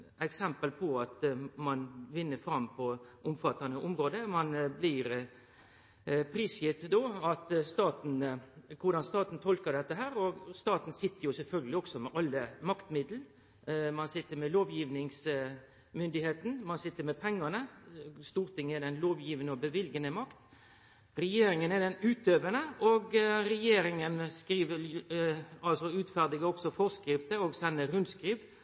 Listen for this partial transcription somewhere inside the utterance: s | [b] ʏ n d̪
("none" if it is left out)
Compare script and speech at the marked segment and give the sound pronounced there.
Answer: m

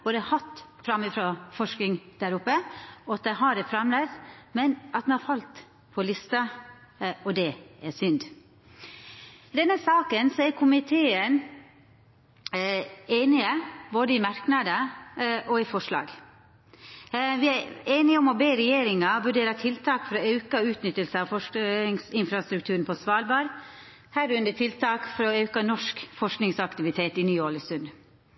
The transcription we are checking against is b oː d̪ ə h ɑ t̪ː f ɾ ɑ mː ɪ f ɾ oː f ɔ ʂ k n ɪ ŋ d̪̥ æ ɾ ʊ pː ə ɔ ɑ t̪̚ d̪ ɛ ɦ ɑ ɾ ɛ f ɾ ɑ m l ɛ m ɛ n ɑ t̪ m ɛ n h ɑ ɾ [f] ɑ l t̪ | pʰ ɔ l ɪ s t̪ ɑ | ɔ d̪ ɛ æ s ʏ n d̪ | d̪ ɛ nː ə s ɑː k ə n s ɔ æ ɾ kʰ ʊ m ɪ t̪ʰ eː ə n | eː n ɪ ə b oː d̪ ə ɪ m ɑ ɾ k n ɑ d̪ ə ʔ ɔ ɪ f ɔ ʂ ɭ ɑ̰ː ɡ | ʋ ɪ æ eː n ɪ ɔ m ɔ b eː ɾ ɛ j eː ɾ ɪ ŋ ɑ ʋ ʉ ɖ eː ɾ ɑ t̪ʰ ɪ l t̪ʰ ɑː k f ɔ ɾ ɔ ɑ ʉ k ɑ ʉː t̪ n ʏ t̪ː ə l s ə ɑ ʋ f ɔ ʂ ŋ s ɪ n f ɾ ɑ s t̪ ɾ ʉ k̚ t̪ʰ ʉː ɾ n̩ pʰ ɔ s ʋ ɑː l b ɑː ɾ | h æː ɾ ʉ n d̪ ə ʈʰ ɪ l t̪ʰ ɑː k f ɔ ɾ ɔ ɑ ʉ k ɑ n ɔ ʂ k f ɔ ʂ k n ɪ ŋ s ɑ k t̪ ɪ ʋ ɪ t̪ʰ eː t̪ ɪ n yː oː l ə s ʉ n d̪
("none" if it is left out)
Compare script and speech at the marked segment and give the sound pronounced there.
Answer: f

